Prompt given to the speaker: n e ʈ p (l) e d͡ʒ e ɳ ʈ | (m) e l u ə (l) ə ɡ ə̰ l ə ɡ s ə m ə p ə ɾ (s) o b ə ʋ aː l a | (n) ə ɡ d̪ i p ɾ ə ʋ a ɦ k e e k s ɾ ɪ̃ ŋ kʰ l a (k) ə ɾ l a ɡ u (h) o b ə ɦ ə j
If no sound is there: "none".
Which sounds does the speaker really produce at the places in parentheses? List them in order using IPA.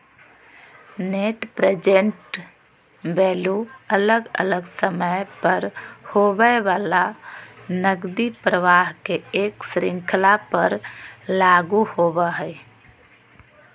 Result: ɾ, b, l, h, n, p, h

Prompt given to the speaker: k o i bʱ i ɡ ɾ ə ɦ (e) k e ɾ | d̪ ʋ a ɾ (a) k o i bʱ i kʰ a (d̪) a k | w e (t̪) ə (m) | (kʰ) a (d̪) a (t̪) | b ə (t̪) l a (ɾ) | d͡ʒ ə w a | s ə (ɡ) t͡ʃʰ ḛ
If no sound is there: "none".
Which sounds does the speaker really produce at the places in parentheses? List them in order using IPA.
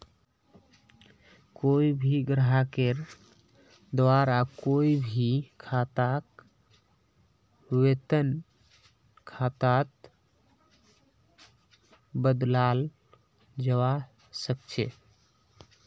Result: a, a, t̪, t̪, n, kʰ, t̪, t̪, d̪, l, k

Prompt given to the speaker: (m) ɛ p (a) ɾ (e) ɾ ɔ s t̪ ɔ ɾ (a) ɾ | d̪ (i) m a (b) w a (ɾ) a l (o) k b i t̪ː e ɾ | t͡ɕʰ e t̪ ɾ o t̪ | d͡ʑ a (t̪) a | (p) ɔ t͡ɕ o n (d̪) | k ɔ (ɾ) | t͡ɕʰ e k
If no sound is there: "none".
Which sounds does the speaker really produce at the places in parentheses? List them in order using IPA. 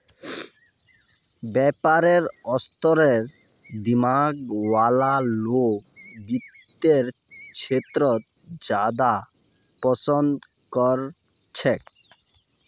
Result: b, a, e, e, i, ɡ, l, o, d̪, p, d̪, ɾ

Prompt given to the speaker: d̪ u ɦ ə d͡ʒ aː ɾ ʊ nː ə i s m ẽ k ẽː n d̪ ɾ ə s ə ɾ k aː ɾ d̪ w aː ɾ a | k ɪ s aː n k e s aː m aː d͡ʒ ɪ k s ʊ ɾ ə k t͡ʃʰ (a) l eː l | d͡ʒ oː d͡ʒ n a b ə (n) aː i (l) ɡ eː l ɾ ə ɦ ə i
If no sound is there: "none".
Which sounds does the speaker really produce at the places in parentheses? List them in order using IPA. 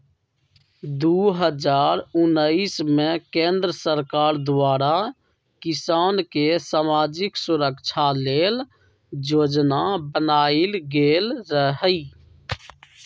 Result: a, n, l

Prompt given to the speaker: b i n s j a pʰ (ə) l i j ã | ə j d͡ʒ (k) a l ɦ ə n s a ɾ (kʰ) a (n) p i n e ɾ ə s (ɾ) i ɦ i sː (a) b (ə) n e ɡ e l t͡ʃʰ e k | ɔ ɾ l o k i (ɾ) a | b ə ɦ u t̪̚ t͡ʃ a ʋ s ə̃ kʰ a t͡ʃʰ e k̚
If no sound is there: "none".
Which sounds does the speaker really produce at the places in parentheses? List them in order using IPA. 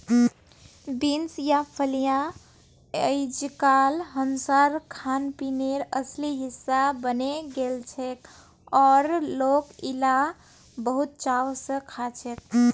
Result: ə, k, kʰ, n, l, a, ə, l

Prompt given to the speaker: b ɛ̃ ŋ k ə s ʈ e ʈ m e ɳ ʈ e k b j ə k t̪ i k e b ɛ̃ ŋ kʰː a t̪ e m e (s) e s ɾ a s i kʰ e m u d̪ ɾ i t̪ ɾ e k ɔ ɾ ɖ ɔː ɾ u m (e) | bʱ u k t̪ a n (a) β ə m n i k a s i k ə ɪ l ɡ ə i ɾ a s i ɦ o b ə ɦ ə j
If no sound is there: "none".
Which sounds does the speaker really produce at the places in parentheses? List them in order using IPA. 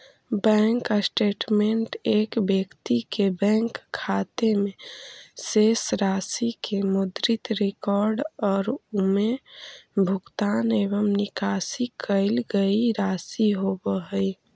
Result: s, e, e

